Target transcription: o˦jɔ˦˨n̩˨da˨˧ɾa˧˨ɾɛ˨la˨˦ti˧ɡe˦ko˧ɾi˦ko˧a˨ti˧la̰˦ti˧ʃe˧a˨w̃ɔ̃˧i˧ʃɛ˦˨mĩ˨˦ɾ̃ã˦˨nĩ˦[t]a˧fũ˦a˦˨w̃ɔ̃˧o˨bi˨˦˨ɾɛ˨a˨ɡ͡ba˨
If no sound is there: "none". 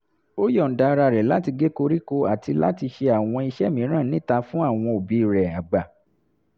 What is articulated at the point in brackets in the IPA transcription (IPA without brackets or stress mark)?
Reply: t